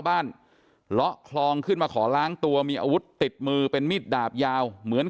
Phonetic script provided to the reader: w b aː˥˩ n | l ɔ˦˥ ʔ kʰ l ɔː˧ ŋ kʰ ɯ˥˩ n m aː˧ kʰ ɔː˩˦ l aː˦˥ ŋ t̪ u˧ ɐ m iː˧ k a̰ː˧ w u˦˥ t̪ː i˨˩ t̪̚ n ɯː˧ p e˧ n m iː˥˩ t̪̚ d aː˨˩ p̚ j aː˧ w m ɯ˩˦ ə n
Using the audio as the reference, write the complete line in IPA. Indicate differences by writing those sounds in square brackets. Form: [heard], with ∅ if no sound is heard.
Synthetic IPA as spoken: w b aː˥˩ n | l ɔ˦˥ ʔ kʰ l ɔː˧ ŋ kʰ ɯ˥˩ n m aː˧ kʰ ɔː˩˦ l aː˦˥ ŋ t̪ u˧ ɐ m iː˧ [ʔ] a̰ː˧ w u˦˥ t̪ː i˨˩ t̪̚ [m] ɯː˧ p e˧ n m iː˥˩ t̪̚ d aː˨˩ p̚ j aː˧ w m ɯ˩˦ ə n